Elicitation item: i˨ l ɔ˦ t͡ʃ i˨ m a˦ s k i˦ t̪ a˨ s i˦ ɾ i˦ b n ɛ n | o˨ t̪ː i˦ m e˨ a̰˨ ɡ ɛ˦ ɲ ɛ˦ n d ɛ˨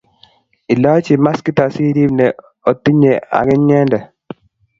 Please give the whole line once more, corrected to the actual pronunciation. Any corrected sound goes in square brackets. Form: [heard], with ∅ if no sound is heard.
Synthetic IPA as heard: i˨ l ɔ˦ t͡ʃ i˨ m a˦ s k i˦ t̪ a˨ s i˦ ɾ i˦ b n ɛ [∅] | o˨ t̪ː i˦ [ɲ] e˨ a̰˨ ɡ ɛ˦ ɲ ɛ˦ n d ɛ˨